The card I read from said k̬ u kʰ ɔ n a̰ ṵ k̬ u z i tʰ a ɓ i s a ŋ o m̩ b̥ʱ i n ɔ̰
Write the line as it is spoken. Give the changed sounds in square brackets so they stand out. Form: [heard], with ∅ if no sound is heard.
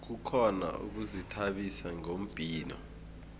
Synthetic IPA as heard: k̬ u kʰ ɔ n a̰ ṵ k̬ u z i tʰ a ɓ i s a ŋ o m̩ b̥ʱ [iː] n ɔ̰